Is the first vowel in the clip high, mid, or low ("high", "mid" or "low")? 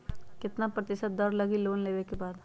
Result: high